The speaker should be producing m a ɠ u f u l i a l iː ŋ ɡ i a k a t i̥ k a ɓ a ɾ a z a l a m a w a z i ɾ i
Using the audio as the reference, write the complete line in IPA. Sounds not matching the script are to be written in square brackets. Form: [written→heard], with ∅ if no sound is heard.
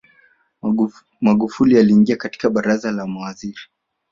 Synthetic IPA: m a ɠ u f u l i a l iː ŋ ɡ i a k a t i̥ k a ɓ a ɾ a z a l a m a w a z i ɾ i